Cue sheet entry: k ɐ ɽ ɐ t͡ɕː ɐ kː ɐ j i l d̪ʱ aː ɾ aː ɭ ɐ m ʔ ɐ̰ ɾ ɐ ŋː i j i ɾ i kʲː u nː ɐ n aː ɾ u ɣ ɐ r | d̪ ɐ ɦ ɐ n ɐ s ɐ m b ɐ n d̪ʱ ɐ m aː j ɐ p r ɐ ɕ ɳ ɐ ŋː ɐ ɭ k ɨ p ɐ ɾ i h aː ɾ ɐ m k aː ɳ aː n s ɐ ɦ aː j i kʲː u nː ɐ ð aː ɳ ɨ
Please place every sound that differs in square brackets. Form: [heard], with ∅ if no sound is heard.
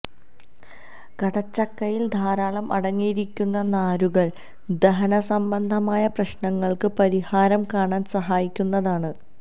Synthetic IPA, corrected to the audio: k ɐ ɽ ɐ t͡ɕː ɐ kː ɐ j i l d̪ʱ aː ɾ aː ɭ ɐ m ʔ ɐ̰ [ɽ] ɐ ŋː i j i ɾ i kʲː u nː ɐ n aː ɾ u ɣ ɐ [ɭ] | d̪ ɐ ɦ ɐ n ɐ s ɐ m b ɐ n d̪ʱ ɐ m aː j ɐ p r ɐ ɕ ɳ ɐ ŋː ɐ ɭ k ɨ p ɐ ɾ i h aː ɾ ɐ m k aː ɳ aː n s ɐ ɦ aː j i kʲː u nː ɐ ð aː ɳ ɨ

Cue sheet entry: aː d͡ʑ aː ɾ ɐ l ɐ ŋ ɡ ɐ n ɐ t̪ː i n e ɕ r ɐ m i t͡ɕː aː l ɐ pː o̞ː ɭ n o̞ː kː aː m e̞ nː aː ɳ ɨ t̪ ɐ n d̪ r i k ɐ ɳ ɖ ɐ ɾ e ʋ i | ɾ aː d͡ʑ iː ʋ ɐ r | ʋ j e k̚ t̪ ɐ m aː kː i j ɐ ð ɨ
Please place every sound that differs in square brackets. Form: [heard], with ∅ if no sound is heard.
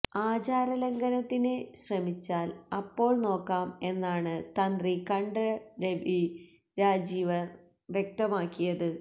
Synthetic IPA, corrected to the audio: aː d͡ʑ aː ɾ ɐ l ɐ ŋ ɡ ɐ n ɐ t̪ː i n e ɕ r ɐ m i t͡ɕː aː l ɐ pː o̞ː ɭ n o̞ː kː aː m e̞ nː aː ɳ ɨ t̪ ɐ n d̪ r i k ɐ ɳ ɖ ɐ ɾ e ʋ i | ɾ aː d͡ʑ iː ʋ ɐ r | ʋ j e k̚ t̪ ɐ m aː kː i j ɐ ð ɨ

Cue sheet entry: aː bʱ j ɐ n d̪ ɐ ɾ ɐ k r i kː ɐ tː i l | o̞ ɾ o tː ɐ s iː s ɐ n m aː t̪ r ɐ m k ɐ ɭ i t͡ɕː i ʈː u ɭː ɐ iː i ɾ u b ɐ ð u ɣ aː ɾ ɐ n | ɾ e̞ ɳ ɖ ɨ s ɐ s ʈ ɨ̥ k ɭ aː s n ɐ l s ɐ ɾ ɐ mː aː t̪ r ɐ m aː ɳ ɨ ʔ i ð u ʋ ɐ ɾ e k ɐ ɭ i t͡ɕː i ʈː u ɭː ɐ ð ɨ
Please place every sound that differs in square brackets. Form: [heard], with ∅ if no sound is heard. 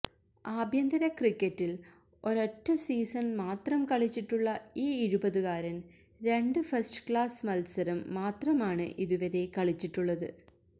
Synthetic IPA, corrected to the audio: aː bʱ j ɐ n d̪ ɐ ɾ ɐ k r i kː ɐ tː i l | o̞ ɾ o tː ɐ s iː s ɐ n m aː t̪ r ɐ m k ɐ ɭ i t͡ɕː i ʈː u ɭː ɐ iː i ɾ u b ɐ ð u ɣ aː ɾ ɐ n | ɾ e̞ ɳ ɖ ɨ [f] ɐ s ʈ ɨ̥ k ɭ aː s [m] ɐ l s ɐ ɾ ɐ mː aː t̪ r ɐ m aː ɳ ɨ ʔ i ð u ʋ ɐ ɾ e k ɐ ɭ i t͡ɕː i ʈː u ɭː ɐ ð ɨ

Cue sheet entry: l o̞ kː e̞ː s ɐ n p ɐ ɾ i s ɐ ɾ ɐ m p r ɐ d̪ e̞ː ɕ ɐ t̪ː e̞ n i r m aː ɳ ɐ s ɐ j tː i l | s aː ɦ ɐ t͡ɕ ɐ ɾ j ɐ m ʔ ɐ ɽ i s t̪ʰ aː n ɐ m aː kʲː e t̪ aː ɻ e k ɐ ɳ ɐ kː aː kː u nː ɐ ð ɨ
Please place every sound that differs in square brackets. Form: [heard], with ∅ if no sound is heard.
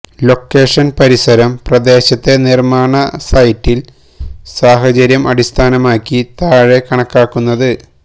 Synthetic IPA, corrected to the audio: l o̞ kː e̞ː [ʂ] ɐ n p ɐ ɾ i s ɐ ɾ ɐ m p r ɐ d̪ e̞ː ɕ ɐ t̪ː e̞ n i r m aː ɳ ɐ s ɐ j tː i l | s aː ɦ ɐ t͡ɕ ɐ ɾ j ɐ m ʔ ɐ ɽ i s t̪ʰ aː n ɐ m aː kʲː [i] t̪ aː ɻ e k ɐ ɳ ɐ kː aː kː u nː ɐ ð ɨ

